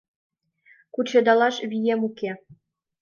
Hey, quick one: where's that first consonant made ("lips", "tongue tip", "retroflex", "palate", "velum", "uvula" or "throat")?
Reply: velum